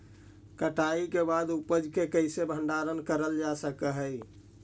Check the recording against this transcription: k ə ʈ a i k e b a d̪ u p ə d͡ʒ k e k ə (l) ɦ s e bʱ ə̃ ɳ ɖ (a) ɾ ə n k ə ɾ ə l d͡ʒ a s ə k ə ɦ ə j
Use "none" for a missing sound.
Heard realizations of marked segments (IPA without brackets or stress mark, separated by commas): none, a